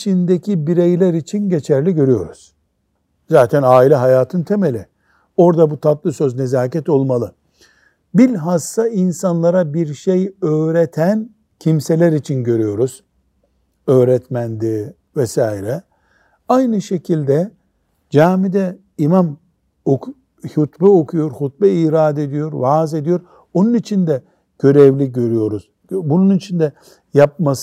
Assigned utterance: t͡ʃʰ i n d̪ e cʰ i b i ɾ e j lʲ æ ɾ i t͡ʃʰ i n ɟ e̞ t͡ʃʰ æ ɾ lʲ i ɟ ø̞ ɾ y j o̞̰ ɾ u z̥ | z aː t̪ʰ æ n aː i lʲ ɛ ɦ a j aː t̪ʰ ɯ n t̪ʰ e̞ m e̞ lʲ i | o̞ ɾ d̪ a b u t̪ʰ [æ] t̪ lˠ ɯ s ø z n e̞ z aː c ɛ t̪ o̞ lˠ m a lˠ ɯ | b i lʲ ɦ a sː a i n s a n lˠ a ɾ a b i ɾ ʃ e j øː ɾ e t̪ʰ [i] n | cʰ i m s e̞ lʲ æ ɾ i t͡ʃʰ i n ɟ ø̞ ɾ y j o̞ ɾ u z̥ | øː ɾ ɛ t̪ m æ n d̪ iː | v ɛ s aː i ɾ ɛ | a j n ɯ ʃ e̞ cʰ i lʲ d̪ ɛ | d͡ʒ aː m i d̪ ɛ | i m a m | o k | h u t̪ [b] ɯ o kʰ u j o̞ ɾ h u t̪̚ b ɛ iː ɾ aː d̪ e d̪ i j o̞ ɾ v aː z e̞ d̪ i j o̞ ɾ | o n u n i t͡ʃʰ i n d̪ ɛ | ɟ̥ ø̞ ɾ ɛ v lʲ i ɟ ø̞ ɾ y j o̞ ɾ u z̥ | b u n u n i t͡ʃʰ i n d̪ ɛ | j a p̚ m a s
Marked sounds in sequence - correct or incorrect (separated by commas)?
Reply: incorrect, incorrect, correct